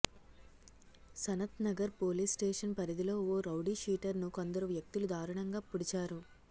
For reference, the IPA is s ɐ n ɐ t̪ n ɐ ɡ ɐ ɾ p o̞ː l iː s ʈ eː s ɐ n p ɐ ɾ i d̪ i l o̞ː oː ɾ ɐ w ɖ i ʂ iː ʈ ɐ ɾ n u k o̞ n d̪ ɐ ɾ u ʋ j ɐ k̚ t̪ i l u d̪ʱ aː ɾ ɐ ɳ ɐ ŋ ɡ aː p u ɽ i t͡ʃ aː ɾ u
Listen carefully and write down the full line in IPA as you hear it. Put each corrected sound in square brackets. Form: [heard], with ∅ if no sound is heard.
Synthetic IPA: s ɐ n ɐ t̪ n ɐ ɡ ɐ ɾ p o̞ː l iː s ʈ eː [ʂ] ɐ n p ɐ ɾ i d̪ i l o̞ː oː ɾ ɐ w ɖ i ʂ iː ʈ ɐ ɾ n u k o̞ n d̪ ɐ ɾ u ʋ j ɐ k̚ t̪ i l u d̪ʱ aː ɾ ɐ ɳ ɐ ŋ ɡ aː p u ɽ i t͡ʃ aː ɾ u